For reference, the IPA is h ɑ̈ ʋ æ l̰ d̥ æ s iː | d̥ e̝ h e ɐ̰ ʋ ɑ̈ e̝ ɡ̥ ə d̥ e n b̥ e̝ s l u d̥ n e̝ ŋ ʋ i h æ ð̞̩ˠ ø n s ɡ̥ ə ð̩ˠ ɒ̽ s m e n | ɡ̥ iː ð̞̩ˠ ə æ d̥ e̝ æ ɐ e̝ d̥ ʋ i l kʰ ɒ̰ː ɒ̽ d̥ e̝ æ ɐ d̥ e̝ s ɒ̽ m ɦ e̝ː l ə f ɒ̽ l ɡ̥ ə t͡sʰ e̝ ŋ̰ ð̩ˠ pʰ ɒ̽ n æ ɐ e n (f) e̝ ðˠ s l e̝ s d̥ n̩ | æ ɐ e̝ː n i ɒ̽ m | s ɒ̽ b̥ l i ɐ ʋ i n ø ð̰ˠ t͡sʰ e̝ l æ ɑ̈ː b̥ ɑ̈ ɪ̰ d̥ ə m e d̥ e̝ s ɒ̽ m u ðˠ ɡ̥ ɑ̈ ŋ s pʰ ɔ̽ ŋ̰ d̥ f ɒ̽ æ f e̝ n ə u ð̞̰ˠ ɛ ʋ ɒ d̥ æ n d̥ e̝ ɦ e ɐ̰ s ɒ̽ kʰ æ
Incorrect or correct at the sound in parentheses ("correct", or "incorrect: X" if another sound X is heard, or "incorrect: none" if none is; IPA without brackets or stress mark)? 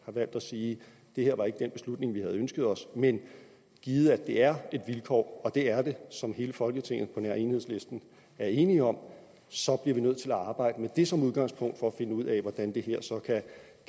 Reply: incorrect: h